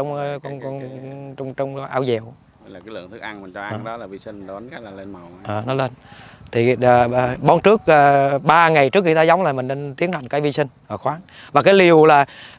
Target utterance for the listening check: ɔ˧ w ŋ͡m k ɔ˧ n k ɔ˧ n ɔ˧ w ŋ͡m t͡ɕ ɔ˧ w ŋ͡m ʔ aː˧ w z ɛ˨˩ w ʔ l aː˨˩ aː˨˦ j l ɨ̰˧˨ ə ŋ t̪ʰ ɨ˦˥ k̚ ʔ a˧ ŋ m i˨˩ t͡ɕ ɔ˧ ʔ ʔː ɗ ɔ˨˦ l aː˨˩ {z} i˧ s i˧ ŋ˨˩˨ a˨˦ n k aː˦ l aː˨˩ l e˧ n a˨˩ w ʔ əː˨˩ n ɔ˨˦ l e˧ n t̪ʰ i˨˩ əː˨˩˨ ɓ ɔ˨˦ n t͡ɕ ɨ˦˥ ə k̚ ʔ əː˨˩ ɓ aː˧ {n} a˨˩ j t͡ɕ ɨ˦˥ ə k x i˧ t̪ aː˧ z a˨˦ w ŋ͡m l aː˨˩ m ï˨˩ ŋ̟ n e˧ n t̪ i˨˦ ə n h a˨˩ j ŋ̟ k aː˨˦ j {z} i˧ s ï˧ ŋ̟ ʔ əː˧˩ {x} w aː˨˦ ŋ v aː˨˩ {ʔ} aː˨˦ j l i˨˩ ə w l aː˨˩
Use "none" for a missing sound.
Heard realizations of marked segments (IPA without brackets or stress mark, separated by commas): v, ŋ, v, x, k